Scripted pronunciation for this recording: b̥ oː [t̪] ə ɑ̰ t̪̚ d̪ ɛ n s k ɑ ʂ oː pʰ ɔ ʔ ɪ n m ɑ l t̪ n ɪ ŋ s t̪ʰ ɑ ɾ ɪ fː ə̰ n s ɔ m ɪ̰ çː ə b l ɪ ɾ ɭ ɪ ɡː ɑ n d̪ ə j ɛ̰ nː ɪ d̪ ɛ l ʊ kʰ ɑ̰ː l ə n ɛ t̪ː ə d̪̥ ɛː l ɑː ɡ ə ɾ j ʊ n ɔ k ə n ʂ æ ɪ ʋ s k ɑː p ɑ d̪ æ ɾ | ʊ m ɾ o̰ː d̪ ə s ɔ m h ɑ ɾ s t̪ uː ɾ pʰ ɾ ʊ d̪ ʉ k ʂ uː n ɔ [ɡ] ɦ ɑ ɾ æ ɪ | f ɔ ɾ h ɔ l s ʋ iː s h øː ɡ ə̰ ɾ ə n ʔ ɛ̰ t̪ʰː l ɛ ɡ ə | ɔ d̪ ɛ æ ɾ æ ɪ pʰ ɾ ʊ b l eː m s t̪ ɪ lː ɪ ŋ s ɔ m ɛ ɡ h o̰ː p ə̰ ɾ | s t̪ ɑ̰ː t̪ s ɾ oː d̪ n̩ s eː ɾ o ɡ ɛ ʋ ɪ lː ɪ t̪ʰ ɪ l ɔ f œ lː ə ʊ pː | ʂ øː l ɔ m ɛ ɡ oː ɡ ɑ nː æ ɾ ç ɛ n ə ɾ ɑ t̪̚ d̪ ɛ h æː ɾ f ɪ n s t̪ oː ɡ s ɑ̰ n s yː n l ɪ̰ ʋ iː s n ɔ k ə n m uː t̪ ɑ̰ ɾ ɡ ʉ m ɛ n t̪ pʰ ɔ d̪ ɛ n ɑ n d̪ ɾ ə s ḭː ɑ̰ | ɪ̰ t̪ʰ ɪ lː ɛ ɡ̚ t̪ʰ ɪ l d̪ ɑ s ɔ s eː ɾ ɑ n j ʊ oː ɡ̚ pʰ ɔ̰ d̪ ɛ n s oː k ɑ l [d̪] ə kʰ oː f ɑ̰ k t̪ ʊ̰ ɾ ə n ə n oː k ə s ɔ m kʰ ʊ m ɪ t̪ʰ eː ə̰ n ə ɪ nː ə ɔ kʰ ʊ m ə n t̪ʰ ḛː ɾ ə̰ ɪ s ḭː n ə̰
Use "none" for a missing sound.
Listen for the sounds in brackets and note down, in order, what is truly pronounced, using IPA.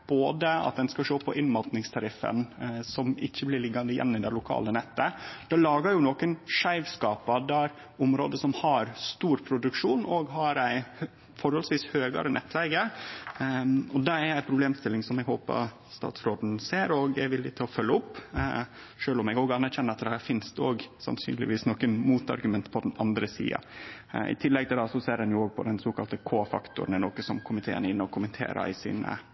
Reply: d̪, ɡ, t̪

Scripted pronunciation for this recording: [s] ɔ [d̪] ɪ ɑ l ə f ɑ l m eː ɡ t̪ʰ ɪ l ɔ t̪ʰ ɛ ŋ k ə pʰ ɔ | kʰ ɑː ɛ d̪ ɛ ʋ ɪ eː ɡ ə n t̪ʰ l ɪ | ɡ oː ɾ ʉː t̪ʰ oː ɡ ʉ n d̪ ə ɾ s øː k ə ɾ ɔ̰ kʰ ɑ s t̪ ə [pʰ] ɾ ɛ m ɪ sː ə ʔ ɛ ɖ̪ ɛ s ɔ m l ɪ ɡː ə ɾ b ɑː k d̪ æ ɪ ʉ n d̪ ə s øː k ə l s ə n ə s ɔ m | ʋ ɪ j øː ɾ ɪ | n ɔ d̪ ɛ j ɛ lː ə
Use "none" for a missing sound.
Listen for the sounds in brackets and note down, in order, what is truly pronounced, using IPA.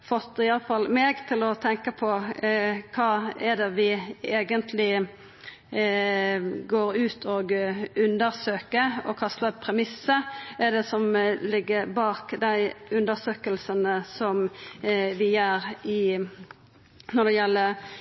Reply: f, t̪, pʰ

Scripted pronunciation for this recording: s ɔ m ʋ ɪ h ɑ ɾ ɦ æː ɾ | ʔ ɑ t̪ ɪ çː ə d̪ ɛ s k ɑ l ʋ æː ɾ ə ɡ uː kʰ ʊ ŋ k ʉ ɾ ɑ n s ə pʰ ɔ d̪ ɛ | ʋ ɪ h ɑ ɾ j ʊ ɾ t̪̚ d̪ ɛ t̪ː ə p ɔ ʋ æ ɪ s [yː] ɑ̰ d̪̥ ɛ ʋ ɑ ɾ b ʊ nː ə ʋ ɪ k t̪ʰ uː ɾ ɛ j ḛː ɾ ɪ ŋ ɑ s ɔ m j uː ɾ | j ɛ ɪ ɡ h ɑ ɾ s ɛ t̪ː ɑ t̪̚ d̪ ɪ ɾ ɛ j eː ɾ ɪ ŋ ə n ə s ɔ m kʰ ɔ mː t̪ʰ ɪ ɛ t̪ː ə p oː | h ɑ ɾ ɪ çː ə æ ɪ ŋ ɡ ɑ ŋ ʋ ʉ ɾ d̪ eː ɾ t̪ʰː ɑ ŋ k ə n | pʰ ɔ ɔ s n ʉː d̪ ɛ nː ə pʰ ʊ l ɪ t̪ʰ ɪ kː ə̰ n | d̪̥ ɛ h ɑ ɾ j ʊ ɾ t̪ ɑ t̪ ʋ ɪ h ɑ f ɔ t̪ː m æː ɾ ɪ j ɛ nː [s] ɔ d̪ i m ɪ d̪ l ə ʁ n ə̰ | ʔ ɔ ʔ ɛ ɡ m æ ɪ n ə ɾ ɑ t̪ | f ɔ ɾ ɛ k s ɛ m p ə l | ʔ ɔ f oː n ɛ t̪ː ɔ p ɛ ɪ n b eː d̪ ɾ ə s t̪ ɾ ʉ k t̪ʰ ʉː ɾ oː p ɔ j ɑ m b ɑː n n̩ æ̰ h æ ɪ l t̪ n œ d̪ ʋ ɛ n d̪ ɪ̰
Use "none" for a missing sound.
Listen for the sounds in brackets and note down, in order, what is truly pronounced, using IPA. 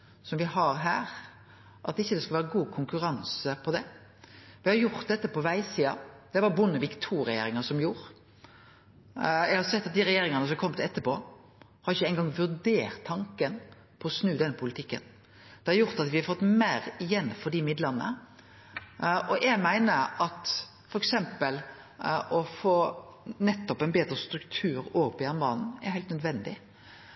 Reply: iː, f

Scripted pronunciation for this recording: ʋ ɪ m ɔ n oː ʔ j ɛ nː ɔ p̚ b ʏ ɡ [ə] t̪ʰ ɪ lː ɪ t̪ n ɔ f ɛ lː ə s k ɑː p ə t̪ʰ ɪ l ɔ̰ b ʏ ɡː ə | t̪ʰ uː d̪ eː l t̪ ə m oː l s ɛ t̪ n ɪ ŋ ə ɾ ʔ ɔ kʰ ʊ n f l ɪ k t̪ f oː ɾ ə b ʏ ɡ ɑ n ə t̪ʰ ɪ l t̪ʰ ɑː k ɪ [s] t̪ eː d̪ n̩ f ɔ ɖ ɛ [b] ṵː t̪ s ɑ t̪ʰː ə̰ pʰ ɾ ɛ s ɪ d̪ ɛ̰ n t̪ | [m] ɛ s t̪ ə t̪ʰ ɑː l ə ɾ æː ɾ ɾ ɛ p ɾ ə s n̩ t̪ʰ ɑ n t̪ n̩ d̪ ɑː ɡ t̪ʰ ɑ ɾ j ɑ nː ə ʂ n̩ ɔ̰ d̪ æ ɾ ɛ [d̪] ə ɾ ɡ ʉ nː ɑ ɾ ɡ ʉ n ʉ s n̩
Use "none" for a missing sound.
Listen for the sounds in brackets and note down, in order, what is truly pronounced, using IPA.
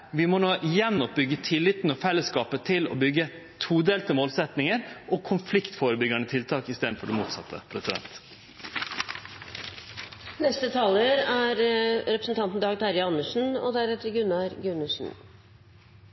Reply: ə, s, m, n, t̪

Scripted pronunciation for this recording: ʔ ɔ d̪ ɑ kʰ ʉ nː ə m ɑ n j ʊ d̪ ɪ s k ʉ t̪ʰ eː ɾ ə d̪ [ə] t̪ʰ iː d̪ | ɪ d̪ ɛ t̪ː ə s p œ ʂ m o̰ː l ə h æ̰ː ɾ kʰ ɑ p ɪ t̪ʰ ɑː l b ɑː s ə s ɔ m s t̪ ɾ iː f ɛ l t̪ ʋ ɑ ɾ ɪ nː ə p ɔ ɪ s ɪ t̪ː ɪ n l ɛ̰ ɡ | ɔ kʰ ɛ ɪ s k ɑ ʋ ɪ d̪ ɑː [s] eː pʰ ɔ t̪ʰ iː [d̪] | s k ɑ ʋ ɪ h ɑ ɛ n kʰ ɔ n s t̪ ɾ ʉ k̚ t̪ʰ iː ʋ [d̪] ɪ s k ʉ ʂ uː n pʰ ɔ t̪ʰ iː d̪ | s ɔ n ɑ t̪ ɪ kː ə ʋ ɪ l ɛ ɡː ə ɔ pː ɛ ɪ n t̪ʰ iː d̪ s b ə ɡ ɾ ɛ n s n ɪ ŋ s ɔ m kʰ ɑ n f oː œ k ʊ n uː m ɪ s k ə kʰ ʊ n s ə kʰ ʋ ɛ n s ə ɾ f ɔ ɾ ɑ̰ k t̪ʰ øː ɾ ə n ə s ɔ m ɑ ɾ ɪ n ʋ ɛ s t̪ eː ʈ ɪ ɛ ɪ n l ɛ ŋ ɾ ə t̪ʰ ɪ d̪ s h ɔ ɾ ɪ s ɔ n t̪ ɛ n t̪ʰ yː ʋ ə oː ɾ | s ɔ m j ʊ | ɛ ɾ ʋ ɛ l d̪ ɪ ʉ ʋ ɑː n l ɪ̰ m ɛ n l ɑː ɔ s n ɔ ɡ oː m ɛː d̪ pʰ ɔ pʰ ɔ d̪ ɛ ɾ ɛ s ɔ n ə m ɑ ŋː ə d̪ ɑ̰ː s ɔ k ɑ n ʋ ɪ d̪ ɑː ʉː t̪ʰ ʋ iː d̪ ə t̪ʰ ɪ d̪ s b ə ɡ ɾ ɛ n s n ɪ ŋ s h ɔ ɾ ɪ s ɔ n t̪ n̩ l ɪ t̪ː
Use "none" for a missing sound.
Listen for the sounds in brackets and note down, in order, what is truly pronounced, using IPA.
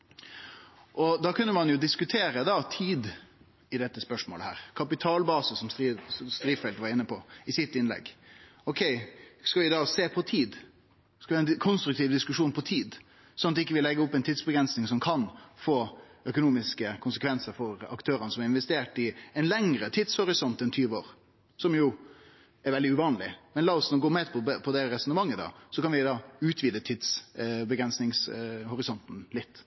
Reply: ɑ, s, d̪, d̪

